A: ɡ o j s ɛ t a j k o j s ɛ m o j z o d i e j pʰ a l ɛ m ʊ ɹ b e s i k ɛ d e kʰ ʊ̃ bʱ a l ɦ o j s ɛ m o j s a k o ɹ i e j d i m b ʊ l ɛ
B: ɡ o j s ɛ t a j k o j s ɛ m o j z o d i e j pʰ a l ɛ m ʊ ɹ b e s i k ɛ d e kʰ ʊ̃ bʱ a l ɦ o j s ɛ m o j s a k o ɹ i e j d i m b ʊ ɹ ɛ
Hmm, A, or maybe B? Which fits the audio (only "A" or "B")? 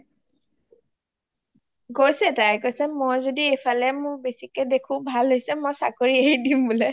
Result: A